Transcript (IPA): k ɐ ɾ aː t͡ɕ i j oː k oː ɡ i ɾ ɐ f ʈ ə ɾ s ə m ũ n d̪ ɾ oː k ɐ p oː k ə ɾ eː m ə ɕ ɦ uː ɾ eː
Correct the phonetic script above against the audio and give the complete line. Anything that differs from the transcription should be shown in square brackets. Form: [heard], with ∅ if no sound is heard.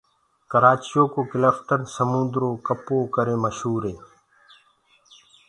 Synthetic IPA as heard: k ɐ ɾ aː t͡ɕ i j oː k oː [k] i [l] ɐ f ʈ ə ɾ s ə m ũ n d̪ ɾ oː k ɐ p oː k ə ɾ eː m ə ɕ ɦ uː ɾ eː